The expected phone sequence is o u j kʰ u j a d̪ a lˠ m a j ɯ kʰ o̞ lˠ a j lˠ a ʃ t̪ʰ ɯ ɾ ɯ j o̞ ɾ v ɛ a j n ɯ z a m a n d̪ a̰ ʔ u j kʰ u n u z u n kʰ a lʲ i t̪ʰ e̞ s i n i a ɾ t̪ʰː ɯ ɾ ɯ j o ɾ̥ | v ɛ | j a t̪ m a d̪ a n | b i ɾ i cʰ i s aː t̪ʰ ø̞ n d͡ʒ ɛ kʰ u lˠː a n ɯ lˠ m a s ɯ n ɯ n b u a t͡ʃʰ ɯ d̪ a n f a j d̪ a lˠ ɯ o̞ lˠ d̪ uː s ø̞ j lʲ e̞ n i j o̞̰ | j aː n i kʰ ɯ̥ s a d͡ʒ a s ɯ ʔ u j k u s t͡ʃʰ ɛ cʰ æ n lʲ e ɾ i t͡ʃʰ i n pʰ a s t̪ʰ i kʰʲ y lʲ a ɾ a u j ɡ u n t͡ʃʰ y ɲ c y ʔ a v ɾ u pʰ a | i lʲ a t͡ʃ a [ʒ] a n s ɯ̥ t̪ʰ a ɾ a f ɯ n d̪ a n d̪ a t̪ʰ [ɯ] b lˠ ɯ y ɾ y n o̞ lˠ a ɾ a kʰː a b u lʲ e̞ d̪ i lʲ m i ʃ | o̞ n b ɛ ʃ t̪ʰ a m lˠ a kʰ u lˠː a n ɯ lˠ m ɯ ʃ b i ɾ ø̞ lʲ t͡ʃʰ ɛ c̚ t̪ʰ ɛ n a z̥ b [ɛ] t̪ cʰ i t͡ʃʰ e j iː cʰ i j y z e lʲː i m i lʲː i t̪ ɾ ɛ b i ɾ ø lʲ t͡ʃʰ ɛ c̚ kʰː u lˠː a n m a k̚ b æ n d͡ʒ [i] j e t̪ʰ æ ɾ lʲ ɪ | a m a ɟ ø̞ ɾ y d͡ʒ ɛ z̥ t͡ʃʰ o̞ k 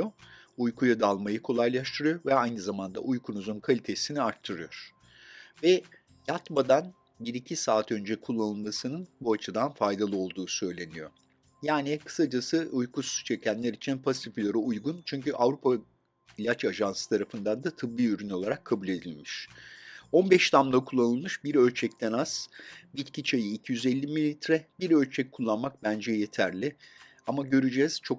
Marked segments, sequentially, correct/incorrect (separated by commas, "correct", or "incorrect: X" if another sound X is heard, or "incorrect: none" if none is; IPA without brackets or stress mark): correct, correct, incorrect: i, incorrect: ɛ